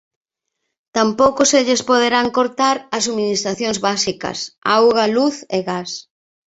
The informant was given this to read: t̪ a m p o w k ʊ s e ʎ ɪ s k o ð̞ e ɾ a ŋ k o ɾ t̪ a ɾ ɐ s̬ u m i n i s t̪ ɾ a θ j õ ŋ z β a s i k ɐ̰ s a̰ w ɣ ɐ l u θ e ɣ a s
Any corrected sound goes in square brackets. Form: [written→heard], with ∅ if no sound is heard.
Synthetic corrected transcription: t̪ a m p o w k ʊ s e ʎ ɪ s [k→p] o ð̞ e ɾ a ŋ k o ɾ t̪ a ɾ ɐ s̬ u m i n i s t̪ ɾ a θ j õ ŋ z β a s i k ɐ̰ s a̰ w ɣ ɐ l u θ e ɣ a s